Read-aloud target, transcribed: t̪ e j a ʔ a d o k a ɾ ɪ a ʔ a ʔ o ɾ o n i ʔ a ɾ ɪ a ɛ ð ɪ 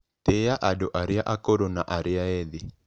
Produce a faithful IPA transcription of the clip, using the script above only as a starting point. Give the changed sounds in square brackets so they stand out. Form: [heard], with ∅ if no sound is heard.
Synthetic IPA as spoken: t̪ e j a ʔ a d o [ʔ] a ɾ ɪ a ʔ a [k] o ɾ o n [a] ʔ a ɾ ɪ a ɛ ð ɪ